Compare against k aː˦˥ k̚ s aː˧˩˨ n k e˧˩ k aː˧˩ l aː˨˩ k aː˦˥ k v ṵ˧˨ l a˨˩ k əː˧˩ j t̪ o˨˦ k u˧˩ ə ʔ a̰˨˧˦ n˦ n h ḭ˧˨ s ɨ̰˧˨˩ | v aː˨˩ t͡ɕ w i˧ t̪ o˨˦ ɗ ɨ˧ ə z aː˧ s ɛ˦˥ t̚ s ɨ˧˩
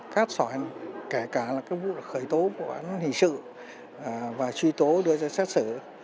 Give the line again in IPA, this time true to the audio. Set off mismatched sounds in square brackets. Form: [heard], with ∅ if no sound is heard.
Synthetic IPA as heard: k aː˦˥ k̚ s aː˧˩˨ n k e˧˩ k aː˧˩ l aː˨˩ k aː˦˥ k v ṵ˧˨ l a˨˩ [x] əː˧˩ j t̪ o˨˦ k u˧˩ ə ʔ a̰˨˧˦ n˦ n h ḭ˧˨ s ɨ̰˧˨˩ | v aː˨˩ t͡ɕ w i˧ t̪ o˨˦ ɗ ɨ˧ ə z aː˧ s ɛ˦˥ t̚ s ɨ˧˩

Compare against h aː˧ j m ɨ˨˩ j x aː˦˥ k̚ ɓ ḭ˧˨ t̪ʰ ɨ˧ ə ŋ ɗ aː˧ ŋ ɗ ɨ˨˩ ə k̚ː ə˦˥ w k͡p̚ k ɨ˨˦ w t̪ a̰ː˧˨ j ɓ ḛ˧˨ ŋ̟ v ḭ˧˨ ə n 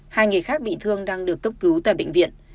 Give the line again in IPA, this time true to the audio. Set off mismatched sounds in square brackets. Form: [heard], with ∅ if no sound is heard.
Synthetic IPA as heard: h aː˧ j [ŋ] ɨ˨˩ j x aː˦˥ k̚ ɓ ḭ˧˨ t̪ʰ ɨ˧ ə ŋ ɗ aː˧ ŋ ɗ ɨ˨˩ ə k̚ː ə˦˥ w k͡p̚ k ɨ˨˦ w t̪ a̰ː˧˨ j ɓ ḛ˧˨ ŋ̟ v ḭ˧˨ ə n

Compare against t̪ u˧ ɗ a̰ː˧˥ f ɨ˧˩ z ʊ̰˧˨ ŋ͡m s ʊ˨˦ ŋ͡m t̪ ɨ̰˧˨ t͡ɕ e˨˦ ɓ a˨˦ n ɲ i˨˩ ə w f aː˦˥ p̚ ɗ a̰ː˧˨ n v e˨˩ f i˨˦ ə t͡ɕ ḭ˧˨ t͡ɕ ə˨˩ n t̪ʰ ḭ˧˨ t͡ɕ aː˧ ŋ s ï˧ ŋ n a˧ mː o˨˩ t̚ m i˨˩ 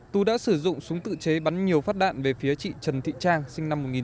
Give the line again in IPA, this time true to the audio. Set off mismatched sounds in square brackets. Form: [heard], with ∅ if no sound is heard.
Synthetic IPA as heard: t̪ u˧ ɗ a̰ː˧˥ [s] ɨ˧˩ z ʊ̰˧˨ ŋ͡m s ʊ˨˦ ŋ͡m t̪ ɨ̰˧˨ t͡ɕ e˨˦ ɓ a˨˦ n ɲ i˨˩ ə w f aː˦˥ [t̚] ɗ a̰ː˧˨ n v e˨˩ f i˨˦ ə t͡ɕ ḭ˧˨ t͡ɕ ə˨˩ n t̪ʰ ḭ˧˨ t͡ɕ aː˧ ŋ s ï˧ ŋ n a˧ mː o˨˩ t̚ [ŋ] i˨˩

